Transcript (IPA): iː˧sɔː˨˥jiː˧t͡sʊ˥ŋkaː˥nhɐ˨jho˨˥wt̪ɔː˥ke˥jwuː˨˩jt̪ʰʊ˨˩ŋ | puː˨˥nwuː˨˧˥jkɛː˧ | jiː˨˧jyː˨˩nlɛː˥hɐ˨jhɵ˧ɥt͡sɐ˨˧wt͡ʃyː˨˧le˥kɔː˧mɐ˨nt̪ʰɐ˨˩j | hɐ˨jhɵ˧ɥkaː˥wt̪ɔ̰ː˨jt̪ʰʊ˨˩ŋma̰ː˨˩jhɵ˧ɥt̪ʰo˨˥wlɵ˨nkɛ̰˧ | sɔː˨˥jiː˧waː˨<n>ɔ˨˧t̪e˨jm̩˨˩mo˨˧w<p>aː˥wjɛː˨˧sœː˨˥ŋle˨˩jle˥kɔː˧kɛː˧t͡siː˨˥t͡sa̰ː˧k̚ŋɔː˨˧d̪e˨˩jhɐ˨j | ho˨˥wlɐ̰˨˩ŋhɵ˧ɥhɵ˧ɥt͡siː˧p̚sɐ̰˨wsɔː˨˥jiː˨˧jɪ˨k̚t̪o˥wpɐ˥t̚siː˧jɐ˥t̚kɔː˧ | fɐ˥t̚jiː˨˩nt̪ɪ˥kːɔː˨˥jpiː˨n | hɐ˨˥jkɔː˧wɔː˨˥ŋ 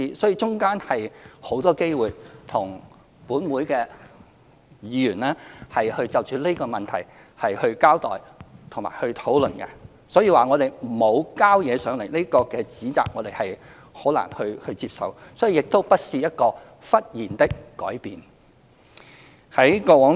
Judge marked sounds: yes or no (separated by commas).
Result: no, no